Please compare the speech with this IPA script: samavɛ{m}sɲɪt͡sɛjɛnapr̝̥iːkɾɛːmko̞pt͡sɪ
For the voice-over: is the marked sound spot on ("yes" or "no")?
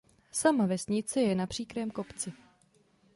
no